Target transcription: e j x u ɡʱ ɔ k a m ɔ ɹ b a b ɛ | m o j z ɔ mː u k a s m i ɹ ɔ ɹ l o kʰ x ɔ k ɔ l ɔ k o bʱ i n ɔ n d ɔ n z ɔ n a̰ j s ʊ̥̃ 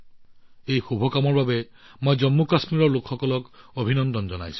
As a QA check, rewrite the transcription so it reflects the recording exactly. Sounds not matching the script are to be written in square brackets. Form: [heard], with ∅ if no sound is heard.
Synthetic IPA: e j x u [bʱ] ɔ k a m ɔ ɹ b a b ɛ | m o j z ɔ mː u k a s m i ɹ ɔ ɹ l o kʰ x ɔ k ɔ l ɔ k o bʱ i n ɔ n d ɔ n z ɔ n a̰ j s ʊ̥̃